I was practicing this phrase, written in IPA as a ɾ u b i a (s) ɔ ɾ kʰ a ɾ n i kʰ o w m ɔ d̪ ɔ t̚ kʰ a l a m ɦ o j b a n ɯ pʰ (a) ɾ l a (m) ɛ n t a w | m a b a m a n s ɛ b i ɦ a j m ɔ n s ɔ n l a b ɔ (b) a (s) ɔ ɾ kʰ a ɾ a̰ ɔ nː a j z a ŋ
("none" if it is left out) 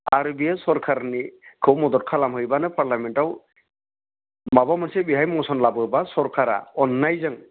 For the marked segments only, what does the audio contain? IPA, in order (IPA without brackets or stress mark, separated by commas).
s, a, m, b, s